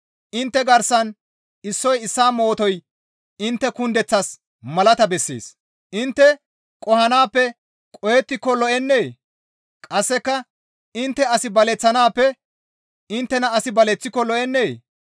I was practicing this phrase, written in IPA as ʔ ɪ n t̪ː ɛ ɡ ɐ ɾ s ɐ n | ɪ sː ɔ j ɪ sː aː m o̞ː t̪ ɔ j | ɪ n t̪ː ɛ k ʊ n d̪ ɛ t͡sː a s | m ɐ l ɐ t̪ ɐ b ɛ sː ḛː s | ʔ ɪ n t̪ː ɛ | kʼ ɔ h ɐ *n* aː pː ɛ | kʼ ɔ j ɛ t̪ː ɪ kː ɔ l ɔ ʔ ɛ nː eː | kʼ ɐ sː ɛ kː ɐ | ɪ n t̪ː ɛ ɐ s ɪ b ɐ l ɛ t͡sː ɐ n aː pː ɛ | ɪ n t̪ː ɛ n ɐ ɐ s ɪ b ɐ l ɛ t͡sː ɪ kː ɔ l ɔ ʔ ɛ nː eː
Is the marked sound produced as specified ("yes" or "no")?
yes